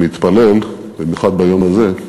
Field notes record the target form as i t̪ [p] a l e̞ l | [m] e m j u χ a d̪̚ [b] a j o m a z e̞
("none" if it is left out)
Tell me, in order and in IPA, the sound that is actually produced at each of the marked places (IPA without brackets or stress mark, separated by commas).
p, b, b